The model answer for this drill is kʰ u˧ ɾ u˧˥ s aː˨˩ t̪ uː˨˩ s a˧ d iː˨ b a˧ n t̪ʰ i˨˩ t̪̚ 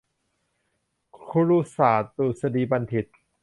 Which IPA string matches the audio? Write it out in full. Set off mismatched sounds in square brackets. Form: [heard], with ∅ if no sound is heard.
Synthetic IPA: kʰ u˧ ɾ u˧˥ s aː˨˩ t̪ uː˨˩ s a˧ d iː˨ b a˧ n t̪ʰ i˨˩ t̪̚